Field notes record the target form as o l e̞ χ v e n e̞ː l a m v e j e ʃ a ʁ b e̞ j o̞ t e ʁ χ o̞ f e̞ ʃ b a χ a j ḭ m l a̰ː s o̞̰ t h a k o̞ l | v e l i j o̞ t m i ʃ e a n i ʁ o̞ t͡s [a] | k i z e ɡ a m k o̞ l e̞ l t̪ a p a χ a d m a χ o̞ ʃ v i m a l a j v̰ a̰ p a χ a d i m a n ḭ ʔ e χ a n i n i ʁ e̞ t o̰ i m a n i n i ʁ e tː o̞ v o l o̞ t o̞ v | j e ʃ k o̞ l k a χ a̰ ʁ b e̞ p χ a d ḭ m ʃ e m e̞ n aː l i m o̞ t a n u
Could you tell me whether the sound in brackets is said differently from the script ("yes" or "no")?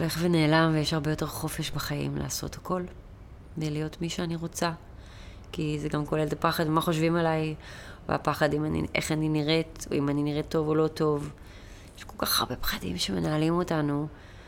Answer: no